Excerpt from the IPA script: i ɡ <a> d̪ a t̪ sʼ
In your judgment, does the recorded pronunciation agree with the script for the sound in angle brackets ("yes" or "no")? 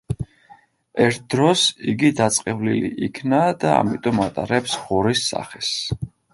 no